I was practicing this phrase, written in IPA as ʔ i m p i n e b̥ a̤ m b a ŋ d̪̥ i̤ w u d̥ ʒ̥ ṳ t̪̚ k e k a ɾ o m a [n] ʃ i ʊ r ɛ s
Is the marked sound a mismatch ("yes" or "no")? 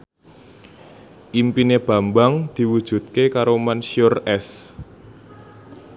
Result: no